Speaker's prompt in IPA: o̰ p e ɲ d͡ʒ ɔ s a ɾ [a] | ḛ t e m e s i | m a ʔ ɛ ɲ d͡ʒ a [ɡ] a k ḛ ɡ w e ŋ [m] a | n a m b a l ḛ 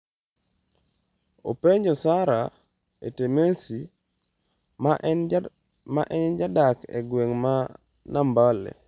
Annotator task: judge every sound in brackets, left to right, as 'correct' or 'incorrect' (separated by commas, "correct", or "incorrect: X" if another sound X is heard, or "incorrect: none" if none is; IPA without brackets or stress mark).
correct, incorrect: d, correct